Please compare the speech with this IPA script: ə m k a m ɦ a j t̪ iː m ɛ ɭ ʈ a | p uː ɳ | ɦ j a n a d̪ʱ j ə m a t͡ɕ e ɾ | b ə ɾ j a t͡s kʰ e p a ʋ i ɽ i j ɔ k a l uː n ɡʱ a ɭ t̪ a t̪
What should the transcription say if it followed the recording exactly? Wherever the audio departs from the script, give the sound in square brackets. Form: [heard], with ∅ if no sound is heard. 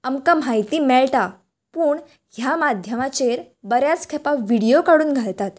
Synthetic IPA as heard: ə m k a m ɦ a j t̪ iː m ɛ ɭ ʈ a | p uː ɳ | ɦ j a [m] a d̪ʱ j ə m a t͡ɕ e ɾ | b ə ɾ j a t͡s kʰ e p a ʋ i ɽ i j [o] k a [ɽ] uː n ɡʱ a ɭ t̪ a t̪